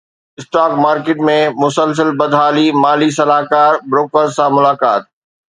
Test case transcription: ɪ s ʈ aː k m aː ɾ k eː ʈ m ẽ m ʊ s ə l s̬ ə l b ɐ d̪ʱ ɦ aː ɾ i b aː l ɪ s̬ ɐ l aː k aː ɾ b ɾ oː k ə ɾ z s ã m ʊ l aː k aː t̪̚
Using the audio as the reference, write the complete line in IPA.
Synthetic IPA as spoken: ɪ s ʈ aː k m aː ɾ k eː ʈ m ẽ m ʊ s ə l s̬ ə l b ɐ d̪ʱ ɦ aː l i m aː l i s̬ ɐ l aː k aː ɾ b ɾ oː k ə ɾ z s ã m ʊ l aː k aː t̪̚

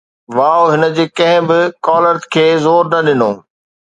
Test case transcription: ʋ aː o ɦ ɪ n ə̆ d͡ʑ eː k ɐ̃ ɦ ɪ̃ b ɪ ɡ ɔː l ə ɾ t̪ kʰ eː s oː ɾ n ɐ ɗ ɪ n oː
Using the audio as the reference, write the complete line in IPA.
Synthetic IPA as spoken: ʋ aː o ɦ ɪ n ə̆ d͡ʑ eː k ɐ̃ ɦ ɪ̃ b ɪ k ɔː l ə ɾ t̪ kʰ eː z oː ɾ n ɐ ɗ ɪ n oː

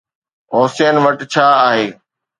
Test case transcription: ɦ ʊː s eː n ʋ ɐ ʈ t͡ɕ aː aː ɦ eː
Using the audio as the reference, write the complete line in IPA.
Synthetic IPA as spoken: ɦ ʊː s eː n ʋ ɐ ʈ t͡ɕʰ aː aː ɦ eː

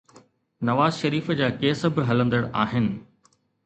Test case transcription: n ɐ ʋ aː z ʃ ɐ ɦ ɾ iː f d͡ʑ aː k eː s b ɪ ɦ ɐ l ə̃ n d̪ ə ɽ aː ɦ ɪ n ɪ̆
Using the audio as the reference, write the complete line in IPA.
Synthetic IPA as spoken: n ɐ ʋ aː z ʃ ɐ ɾ iː f d͡ʑ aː k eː s b ɪ ɦ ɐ l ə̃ n d̪ ə ɽ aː ɦ ɪ n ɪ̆

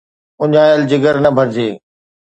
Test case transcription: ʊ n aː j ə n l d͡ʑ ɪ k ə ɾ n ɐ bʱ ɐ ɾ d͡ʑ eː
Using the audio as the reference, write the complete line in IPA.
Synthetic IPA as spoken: ʊ ɲ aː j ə l d͡ʑ ɪ ɡ ə ɾ n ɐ bʱ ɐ ɾ d͡ʑ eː

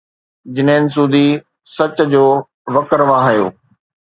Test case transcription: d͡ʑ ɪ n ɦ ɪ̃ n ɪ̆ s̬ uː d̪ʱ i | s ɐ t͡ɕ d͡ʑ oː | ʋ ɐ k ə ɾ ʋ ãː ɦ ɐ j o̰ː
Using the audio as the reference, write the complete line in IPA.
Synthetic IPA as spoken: d͡ʑ ɪ n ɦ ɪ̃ n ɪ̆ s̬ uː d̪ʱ i | s ɐ t͡ɕ d͡ʑ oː | ʋ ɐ k ə ɾ ʋ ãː ɦ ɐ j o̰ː

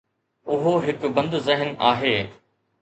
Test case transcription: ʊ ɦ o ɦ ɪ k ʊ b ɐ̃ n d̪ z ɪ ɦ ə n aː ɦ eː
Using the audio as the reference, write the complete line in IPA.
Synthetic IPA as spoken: ʊ ɦ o ɦ ɪ k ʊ b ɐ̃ n d̪ z ɪ ɦ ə n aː ɦ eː

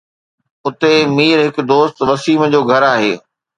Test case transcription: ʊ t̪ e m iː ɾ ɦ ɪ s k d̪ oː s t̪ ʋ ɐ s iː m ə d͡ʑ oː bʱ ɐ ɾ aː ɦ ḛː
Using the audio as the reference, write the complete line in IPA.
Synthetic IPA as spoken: ʊ t̪ e m iː ɾ ɦ ɪ k d̪ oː s t̪ ʋ ɐ s iː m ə d͡ʑ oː ɡʱ ɐ ɾ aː ɦ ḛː

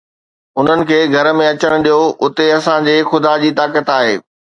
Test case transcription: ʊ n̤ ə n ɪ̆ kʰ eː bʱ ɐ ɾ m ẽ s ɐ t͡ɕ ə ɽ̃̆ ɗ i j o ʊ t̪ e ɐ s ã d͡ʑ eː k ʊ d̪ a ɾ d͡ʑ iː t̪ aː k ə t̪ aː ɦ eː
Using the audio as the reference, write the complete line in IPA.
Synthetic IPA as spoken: ʊ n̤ ə n ɪ̆ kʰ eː ɡʱ ɐ ɾ m ẽ ɐ t͡ɕ ə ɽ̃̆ ɗ i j o ʊ t̪ e ɐ s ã d͡ʑ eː x ʊ d̪ a d͡ʑ iː t̪ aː k ə t̪ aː ɦ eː

